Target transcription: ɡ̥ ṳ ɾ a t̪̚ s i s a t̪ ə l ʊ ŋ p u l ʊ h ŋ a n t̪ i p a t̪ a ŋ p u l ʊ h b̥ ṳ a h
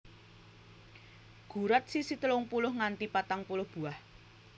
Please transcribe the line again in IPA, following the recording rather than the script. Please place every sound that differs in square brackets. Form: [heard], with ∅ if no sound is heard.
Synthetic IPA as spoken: ɡ̥ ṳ ɾ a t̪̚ s i s [i] t̪ ə l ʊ ŋ p u l ʊ h ŋ a n t̪ i p a t̪ a ŋ p u l ʊ h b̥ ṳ a h